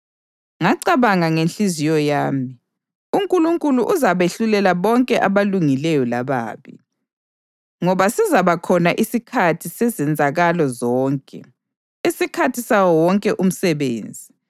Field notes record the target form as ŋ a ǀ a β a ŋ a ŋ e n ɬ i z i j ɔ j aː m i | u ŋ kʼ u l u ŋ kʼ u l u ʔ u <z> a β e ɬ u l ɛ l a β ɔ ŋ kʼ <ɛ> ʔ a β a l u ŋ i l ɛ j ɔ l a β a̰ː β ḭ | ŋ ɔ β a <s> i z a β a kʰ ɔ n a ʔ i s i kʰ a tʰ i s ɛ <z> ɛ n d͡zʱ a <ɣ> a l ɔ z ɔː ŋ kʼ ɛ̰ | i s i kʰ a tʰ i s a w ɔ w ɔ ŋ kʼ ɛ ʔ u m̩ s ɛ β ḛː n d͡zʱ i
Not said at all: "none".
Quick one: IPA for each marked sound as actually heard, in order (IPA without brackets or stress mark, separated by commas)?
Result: z, ɛ, s, z, ɣ